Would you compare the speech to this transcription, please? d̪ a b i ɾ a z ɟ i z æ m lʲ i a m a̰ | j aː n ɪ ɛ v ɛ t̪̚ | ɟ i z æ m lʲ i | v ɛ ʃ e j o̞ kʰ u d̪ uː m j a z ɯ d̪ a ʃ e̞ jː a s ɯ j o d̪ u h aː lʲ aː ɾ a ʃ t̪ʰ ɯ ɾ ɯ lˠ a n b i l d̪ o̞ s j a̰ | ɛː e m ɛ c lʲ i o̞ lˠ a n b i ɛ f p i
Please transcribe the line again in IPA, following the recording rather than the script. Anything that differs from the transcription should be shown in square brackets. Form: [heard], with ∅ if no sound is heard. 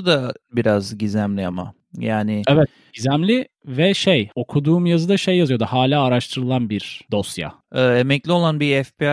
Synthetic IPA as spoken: d̪ a b i ɾ a z ɟ i z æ m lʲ i a m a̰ | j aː n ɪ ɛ v ɛ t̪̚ | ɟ i z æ m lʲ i | v ɛ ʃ e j o̞ kʰ u d̪ uː m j a z ɯ d̪ a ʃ e̞ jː a [z] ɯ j o d̪ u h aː lʲ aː ɾ a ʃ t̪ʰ ɯ ɾ ɯ lˠ a n b i [ɾ] d̪ o̞ s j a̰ | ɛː e m ɛ c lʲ i o̞ lˠ a n b i ɛ f p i